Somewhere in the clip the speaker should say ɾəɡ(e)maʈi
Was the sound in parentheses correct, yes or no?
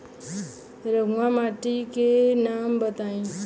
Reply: no